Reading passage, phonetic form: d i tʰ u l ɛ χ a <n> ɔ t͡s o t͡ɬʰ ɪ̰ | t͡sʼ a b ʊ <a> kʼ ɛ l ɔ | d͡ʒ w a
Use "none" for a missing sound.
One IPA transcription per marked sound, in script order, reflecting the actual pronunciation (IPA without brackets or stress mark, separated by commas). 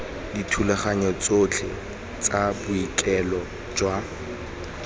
ɲ, i